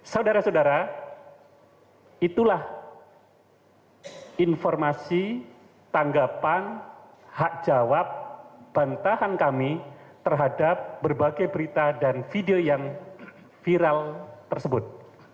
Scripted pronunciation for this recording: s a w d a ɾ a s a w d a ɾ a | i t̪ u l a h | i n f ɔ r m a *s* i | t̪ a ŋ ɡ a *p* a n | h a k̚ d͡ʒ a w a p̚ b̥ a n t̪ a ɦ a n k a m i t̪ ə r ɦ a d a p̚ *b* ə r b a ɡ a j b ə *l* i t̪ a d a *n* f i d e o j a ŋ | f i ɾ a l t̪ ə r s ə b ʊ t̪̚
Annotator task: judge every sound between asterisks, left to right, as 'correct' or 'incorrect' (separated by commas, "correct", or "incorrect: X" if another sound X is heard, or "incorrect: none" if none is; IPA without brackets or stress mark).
correct, correct, correct, incorrect: ɾ, correct